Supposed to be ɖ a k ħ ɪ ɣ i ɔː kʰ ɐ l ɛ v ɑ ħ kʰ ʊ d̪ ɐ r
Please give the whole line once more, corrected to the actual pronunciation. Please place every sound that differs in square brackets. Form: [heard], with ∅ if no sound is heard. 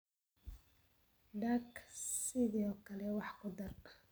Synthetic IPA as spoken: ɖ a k [s] ɪ [ð] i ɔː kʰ ɐ l ɛ [w] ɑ ħ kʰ ʊ d̪ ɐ r

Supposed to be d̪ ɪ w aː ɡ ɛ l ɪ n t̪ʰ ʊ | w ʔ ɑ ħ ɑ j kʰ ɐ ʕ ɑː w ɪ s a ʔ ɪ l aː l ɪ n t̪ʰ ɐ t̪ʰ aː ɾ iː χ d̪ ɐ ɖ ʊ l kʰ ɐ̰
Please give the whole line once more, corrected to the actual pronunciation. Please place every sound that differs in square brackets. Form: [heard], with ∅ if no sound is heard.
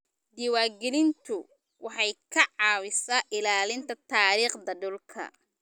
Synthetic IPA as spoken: d̪ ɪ w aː ɡ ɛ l ɪ n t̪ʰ ʊ | w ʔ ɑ ħ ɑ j kʰ ɐ ʕ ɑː w ɪ s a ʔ ɪ l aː l ɪ n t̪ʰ ɐ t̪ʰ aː ɾ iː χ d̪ ɐ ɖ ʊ l kʰ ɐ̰

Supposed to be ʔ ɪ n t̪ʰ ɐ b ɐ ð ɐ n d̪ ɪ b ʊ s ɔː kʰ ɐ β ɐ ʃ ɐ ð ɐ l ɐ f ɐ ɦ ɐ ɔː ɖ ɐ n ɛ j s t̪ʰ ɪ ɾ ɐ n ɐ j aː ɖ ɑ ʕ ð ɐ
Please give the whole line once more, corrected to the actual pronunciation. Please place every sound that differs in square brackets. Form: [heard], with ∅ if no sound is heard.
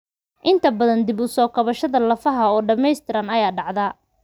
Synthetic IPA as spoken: ʔ ɪ n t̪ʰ ɐ b ɐ ð ɐ n d̪ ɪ b ʊ s ɔː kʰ ɐ β ɐ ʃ ɐ ð ɐ l ɐ f ɐ ɦ ɐ ɔː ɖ ɐ [m] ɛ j s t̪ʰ ɪ ɾ ɐ n ɐ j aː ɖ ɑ ʕ ð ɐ

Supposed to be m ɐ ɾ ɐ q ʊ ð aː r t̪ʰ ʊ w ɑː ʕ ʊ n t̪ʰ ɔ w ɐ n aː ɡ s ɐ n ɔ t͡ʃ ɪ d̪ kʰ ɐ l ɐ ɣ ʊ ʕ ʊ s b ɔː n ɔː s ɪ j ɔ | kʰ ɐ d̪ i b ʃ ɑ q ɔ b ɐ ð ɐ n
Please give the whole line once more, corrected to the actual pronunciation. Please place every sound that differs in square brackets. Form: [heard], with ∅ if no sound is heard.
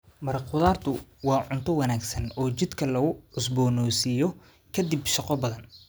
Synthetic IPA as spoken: m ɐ ɾ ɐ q ʊ ð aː r t̪ʰ ʊ w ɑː ʕ ʊ n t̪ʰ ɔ w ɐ n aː ɡ s ɐ n [ɔː] t͡ʃ ɪ d̪ kʰ ɐ l ɐ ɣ ʊ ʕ ʊ s b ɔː n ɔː s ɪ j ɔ | kʰ ɐ d̪ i b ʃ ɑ q ɔ b ɐ ð ɐ n

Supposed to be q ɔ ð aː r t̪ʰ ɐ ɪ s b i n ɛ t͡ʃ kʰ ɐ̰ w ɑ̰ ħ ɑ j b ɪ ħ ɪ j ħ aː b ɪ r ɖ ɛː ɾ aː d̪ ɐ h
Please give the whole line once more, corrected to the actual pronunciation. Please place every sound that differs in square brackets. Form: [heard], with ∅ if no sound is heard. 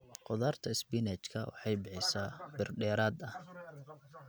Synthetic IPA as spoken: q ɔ ð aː r t̪ʰ ɐ ɪ s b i n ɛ t͡ʃ kʰ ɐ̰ w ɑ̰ ħ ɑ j b ɪ ħ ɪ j [s] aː b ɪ r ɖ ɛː ɾ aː d̪ ɐ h

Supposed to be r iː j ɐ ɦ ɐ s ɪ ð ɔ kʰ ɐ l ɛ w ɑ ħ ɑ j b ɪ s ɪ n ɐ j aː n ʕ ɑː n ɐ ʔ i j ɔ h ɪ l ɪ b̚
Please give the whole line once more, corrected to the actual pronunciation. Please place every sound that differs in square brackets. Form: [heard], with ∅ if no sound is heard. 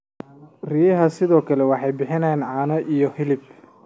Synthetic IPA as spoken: r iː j ɐ ɦ ɐ s ɪ ð [ɔː] kʰ ɐ l ɛ w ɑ ħ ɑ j b ɪ [ħ] ɪ n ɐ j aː n ʕ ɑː n ɐ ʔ i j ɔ h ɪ l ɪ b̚

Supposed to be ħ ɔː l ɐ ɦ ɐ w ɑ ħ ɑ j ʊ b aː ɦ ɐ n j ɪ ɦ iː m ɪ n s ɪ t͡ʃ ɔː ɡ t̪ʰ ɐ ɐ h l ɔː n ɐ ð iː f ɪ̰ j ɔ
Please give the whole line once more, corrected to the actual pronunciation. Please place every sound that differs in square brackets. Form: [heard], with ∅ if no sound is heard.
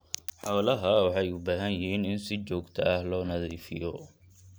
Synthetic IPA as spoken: ħ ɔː l ɐ ɦ ɐ w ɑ ħ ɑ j ʊ b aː ɦ ɐ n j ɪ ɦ iː [n] ɪ n s ɪ t͡ʃ ɔː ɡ t̪ʰ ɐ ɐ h l ɔː n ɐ ð iː f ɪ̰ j ɔ

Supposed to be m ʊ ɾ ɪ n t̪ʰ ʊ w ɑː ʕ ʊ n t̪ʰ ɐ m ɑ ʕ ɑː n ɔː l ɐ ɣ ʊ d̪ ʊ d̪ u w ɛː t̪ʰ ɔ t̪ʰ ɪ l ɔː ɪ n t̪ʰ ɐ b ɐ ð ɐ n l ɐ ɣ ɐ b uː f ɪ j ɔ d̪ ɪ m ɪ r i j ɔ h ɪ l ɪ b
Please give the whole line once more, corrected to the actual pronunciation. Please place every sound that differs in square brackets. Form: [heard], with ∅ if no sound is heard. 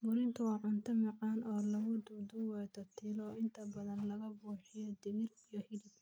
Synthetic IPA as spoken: m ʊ ɾ ɪ n t̪ʰ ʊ w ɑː ʕ ʊ n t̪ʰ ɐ m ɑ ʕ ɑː n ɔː l ɐ ɣ ʊ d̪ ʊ d̪ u w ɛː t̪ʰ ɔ t̪ʰ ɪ l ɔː ɪ n t̪ʰ ɐ b ɐ ð ɐ n l ɐ ɣ ɐ b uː [ħ] ɪ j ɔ d̪ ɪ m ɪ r i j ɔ h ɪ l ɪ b

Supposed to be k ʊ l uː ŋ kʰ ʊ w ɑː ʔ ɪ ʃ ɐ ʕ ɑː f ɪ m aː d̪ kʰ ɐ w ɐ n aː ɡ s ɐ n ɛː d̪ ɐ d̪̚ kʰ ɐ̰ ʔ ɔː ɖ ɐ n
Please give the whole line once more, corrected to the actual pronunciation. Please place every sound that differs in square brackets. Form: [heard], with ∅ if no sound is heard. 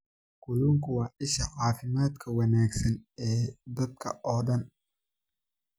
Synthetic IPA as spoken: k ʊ l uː ŋ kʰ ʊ w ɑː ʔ ɪ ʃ ɐ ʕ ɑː f ɪ m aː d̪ kʰ ɐ w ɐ n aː ɡ s ɐ n ɛː d̪ ɐ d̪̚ kʰ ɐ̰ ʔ ɔː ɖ ɐ n

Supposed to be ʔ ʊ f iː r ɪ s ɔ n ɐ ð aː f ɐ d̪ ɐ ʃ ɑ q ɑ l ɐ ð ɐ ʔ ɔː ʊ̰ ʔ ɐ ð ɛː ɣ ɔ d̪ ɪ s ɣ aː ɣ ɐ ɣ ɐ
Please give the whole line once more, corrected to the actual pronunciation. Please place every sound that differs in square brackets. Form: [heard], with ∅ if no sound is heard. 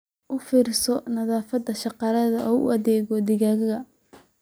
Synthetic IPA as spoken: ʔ ʊ f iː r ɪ s ɔ n ɐ ð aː f ɐ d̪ ɐ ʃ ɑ q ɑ l ɐ ð ɐ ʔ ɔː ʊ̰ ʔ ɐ ð ɛː ɣ ɔ d̪ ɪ [∅] ɣ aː ɣ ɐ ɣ ɐ

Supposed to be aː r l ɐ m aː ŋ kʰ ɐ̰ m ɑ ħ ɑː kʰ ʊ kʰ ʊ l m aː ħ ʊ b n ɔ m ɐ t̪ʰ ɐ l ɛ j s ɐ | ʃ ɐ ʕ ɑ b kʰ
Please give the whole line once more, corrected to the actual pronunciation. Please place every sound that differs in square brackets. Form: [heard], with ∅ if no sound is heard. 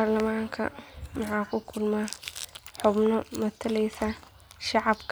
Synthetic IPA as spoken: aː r l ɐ m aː ŋ kʰ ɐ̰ m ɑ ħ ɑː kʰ ʊ kʰ ʊ l m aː ħ ʊ b n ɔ m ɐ t̪ʰ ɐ l ɛ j s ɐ | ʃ [ɑ] ʕ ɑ b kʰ

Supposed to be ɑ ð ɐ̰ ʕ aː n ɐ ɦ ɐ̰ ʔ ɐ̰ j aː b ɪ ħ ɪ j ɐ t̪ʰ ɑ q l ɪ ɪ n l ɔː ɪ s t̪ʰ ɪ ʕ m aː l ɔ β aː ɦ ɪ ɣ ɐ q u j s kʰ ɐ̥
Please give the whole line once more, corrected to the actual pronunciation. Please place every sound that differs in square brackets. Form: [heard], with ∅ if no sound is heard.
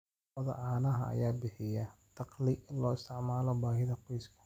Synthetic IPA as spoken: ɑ ð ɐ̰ ʕ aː n ɐ ɦ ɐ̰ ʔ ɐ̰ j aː b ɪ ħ ɪ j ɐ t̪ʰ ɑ q l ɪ ɪ n l ɔː ɪ s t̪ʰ ɪ ʕ m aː l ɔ [b] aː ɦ ɪ [ð] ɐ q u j s kʰ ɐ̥

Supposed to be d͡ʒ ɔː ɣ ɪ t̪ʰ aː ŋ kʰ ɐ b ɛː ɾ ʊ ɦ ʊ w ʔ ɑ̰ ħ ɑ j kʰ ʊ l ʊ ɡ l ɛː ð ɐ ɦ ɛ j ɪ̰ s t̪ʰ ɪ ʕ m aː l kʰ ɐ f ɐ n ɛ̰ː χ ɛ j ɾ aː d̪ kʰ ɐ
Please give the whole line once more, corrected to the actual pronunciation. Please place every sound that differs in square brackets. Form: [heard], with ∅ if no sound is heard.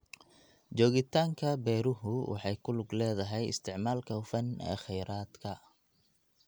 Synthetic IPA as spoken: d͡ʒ ɔː ɣ ɪ t̪ʰ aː ŋ kʰ ɐ b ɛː ɾ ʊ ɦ ʊ w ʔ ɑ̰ ħ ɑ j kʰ ʊ l ʊ ɡ l ɛː ð ɐ ɦ ɛ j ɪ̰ s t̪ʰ ɪ ʕ m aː l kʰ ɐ f ɐ n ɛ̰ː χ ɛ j ɾ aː d̪ kʰ ɐ

